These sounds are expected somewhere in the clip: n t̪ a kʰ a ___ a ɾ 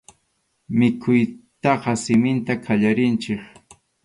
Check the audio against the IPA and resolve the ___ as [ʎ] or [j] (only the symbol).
ʎ